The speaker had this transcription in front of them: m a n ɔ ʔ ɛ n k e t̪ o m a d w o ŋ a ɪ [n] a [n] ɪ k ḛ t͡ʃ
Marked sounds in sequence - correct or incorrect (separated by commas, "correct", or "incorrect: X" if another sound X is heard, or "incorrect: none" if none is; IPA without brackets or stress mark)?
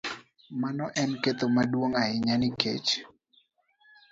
incorrect: ɲ, correct